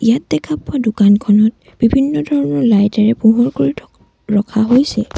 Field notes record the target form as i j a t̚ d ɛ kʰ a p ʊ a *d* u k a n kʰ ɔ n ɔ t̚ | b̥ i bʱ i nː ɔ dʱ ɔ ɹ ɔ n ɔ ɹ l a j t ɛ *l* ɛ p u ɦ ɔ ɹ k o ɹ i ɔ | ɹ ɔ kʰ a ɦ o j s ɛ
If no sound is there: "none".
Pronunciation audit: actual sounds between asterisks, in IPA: d, ɹ

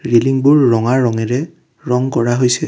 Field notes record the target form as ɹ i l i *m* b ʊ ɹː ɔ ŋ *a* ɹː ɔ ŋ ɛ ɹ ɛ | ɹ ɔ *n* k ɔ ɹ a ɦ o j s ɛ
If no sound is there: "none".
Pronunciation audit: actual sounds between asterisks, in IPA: ŋ, a, ŋ

